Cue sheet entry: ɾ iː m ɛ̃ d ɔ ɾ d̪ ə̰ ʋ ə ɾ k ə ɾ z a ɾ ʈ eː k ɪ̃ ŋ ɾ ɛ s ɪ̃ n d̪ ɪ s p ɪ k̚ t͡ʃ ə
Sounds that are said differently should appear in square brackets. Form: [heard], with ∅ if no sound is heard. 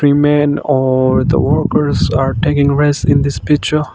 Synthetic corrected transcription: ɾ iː m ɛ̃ [n] ɔ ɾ d̪ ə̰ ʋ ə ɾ k ə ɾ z a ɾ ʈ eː k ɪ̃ ŋ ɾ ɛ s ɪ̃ n d̪ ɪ s p ɪ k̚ t͡ʃ ə